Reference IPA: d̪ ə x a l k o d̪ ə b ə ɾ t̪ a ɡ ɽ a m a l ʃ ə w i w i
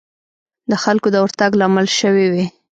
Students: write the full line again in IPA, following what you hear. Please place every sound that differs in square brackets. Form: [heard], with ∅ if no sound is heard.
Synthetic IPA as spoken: d̪ ə x a l k o d̪ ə [w] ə ɾ t̪ a ɡ [l] a m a l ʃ ə w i w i